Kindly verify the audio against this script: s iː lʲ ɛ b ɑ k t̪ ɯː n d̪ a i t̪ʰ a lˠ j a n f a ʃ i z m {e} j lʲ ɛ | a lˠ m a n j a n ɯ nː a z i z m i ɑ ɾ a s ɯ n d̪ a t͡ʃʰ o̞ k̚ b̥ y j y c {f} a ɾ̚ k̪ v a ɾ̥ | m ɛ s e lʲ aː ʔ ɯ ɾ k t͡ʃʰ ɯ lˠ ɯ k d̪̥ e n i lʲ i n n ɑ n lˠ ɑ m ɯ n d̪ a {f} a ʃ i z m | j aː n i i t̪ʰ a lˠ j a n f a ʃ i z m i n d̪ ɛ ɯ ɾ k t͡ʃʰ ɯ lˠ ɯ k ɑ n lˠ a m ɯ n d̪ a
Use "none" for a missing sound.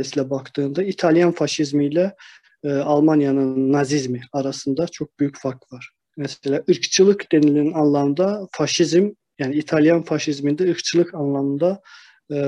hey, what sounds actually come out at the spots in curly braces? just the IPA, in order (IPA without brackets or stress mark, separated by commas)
i, f, f